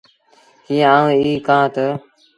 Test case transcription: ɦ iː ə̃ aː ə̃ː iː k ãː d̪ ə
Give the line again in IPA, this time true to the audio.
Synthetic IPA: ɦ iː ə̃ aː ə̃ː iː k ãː t̪ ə

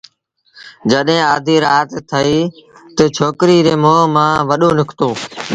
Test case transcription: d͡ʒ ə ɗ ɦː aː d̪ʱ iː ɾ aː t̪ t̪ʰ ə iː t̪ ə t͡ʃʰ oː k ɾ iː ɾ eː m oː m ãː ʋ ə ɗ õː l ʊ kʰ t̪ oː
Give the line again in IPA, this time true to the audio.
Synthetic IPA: d͡ʒ ə ɗ ɦː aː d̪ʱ iː ɾ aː t̪ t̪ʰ ə iː t̪ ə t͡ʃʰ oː k ɾ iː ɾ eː m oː m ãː ʋ ə ɗ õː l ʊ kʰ t̪ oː

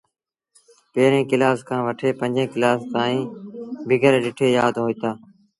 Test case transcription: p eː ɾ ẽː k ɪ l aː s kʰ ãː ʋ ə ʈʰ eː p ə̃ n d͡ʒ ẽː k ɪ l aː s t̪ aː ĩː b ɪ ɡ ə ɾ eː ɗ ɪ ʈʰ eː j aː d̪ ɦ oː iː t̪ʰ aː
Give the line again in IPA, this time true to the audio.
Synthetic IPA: p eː ɾ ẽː k ɪ l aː s kʰ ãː ʋ ə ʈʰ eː p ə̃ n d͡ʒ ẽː k ɪ l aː s t̪ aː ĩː b ɪ ɡ ə ɾ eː ɗ ɪ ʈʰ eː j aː d̪ ɦ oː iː t̪ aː

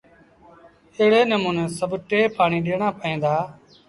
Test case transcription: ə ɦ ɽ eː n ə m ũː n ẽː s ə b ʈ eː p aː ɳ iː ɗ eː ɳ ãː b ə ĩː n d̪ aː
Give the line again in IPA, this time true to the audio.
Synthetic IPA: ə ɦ ɽ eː n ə m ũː n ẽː s ə b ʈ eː p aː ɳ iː ɗ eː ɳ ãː p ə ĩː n d̪ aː

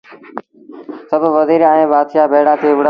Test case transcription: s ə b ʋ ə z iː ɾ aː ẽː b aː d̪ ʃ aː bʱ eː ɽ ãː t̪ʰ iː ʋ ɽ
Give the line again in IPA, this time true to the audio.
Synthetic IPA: s ə b ʋ ə z iː ɾ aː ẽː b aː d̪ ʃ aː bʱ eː ɽ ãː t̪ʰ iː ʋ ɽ

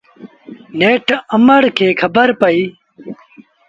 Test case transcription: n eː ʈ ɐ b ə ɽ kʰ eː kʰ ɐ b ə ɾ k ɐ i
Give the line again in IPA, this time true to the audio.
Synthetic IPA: n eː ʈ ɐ m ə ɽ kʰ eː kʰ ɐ b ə ɾ p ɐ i

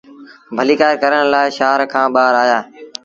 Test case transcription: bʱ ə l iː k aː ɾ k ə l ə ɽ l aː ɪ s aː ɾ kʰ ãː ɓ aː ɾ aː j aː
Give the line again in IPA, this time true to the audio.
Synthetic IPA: bʱ ə l iː k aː ɾ k ə ɾ ə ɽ l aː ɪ ʃ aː ɾ kʰ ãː ɓ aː ɾ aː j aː

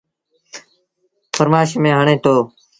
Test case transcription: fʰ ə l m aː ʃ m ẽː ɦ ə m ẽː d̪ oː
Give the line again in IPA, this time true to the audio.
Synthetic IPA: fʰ ə ɾ m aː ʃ m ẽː ɦ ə ɳ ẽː t̪ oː

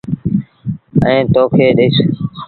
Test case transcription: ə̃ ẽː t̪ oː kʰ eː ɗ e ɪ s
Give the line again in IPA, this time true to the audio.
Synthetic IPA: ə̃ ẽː t̪ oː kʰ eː ɗ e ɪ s

